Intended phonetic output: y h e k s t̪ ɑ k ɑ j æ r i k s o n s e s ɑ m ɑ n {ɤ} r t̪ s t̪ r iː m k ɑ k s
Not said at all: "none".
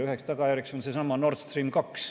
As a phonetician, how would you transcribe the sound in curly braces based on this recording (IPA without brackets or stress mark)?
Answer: o